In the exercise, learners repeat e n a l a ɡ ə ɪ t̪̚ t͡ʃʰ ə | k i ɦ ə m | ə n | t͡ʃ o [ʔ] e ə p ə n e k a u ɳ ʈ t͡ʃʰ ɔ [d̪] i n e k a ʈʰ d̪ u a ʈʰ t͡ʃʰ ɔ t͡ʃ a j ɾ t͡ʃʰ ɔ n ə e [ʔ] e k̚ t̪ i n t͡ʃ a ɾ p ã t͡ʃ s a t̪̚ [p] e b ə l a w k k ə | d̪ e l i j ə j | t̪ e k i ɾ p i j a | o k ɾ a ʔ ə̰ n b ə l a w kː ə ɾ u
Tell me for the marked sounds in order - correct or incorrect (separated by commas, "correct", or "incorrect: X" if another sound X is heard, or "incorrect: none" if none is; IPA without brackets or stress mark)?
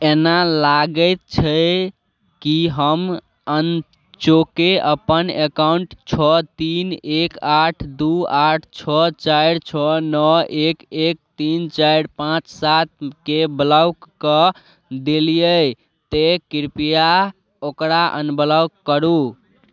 incorrect: k, incorrect: t̪, incorrect: k, incorrect: k